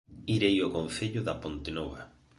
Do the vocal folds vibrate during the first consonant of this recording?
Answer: yes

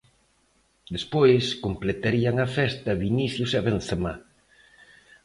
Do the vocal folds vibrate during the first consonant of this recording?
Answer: yes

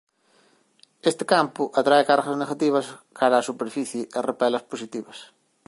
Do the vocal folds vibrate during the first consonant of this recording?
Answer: no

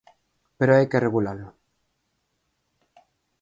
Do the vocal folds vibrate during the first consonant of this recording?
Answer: no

